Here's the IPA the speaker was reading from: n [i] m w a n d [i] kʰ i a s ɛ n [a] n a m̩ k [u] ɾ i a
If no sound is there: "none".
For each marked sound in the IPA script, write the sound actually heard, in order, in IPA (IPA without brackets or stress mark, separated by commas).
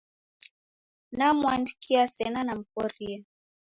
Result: a, i, a, ɔ